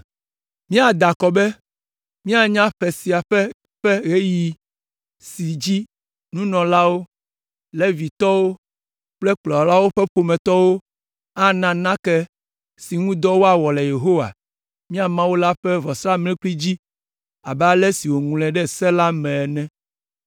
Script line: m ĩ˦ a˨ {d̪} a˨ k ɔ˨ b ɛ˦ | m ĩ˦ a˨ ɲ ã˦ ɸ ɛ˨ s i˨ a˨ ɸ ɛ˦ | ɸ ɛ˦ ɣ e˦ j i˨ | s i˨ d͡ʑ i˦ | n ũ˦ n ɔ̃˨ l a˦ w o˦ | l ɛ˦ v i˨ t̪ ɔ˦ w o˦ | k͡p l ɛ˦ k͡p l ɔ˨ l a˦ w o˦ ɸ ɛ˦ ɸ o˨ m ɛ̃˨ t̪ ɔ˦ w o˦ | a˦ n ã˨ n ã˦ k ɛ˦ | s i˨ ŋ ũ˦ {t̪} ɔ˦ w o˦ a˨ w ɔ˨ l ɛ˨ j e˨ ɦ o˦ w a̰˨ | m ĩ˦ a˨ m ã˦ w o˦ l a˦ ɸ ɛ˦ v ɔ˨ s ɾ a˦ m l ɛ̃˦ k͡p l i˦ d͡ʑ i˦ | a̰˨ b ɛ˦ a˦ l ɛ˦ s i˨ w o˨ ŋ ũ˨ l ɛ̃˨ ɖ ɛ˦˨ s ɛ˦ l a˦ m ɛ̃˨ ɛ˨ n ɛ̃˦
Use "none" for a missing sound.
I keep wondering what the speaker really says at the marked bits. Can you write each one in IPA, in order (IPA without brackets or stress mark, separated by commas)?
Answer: d̪, d̪